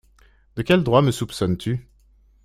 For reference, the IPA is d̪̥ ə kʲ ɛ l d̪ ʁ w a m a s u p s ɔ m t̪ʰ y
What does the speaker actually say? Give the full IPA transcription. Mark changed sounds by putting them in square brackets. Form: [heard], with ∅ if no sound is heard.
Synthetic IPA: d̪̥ ə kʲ ɛ l d̪ ʁ w a m [ə] s u p s ɔ [n] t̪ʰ y